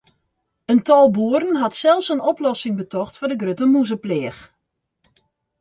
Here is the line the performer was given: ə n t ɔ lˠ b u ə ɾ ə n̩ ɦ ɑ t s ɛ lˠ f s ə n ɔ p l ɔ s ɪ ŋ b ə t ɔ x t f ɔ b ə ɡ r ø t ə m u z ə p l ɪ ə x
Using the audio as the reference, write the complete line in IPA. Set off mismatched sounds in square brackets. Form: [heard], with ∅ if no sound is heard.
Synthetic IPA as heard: ə n t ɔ lˠ b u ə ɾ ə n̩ ɦ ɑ t s ɛ lˠ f s ə n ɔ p l ɔ s ɪ ŋ b ə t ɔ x t f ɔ [d] ə ɡ r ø t ə m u z ə p l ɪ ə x